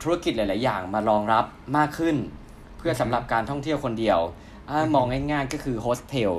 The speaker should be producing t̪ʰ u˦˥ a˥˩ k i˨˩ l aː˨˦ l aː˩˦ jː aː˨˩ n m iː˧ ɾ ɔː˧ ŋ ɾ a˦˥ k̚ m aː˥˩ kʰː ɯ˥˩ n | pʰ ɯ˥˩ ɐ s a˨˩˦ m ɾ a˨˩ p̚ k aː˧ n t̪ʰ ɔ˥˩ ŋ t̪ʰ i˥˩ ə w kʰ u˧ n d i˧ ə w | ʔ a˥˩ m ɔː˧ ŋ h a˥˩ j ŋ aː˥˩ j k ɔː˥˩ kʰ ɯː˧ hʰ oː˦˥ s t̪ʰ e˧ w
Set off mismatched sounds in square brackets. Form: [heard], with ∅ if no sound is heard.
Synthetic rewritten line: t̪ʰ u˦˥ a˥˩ k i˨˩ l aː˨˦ l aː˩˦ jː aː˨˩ [ŋ] m [aː˧] ɾ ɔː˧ ŋ ɾ a˦˥ [p̚] m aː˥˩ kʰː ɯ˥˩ n | pʰ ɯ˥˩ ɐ s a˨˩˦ m ɾ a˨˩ p̚ k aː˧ n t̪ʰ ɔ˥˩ ŋ t̪ʰ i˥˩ ə w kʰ [o˧] n d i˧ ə w | ʔ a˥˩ m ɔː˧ ŋ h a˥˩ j ŋ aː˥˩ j k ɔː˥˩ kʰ ɯː˧ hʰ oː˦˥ s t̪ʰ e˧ w